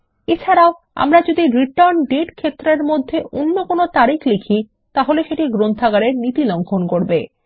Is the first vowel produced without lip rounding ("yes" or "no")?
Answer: yes